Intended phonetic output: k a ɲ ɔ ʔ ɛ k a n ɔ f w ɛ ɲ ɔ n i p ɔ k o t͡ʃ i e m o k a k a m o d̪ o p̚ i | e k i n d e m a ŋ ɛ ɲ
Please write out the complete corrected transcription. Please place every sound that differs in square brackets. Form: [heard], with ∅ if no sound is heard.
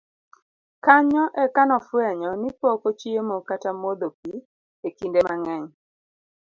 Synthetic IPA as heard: k a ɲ ɔ ʔ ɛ k a n ɔ f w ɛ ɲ ɔ n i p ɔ k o t͡ʃ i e m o k a [t] a m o d̪ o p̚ i | e k i n d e m a ŋ ɛ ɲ